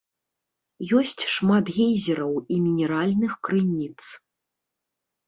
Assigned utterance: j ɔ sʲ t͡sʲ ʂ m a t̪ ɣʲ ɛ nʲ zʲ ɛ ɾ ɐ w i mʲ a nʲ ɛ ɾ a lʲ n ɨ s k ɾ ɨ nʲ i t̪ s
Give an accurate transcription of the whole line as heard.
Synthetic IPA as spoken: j ɔ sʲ t͡sʲ ʂ m a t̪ ɣʲ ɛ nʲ zʲ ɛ ɾ ɐ w i mʲ i nʲ ɛ ɾ a lʲ n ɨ x k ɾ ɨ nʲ i t̪ s